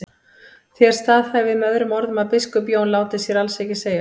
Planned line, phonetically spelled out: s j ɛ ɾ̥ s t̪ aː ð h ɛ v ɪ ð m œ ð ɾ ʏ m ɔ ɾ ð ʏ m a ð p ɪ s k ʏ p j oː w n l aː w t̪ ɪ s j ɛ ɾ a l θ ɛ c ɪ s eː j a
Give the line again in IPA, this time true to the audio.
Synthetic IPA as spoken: θ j ɛ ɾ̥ s t̪ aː ð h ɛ v ɪ ð m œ ð ɾ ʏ m ɔ ɾ ð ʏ m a ð p ɪ s k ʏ p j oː w n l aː w t̪ ɪ s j ɛ ɾ a l s ɛ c ɪ s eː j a